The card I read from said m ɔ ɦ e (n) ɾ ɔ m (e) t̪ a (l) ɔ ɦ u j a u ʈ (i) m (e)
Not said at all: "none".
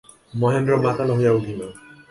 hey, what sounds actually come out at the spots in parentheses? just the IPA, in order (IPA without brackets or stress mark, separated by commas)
n, a, l, i, a